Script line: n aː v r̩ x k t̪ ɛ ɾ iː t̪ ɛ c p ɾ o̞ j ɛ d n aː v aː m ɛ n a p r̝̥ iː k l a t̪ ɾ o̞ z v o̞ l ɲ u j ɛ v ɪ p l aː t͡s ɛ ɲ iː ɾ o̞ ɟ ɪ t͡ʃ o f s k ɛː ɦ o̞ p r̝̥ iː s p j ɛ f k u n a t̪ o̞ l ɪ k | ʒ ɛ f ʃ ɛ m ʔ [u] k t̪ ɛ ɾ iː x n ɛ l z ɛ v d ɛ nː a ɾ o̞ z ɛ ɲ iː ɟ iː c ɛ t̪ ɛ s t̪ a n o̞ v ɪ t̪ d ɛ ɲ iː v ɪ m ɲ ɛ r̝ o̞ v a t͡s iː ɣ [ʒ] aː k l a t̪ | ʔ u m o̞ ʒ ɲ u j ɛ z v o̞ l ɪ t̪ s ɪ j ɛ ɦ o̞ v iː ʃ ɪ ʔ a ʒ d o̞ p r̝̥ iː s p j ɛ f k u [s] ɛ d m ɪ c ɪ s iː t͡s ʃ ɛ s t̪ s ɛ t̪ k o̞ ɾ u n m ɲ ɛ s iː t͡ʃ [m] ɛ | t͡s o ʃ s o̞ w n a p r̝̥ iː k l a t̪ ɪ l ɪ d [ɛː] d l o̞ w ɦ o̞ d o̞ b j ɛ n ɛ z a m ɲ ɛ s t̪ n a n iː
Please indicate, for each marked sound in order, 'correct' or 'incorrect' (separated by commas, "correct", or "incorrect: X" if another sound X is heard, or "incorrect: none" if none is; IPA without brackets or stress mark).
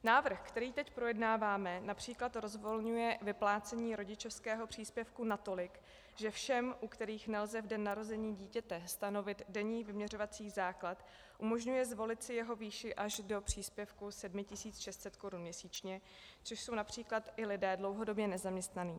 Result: correct, incorrect: z, correct, incorrect: ɲ, correct